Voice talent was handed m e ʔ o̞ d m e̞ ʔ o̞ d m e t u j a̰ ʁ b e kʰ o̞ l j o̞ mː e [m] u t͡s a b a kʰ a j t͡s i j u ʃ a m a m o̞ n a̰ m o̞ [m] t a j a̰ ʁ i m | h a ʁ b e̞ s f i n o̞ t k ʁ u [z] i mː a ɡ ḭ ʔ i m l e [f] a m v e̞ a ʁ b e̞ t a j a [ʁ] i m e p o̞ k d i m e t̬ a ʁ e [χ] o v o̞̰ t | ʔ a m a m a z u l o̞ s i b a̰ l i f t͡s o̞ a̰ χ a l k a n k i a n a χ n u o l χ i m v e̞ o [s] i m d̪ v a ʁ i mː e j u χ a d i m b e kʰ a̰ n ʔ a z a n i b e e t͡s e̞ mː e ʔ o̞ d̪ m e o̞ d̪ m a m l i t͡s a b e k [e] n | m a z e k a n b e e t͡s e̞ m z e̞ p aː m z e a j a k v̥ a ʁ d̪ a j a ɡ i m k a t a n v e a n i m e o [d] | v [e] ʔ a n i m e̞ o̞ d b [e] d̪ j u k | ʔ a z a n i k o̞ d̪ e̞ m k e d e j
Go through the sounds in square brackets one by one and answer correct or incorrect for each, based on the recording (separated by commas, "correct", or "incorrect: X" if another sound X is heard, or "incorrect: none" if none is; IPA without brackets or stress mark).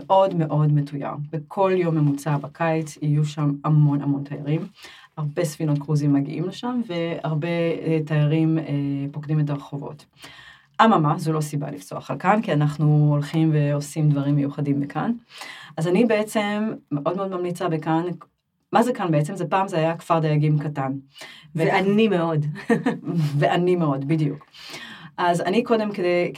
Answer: correct, incorrect: n, correct, incorrect: ʃ, correct, correct, correct, incorrect: a, correct, correct, incorrect: i